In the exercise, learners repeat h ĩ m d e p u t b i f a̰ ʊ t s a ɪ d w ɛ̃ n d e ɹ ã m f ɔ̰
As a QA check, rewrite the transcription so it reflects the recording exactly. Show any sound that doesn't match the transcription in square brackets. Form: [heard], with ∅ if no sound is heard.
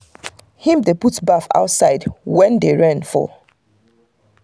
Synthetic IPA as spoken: h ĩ m d e p u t b [a] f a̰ ʊ t s a ɪ d w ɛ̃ n d e ɹ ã [n] f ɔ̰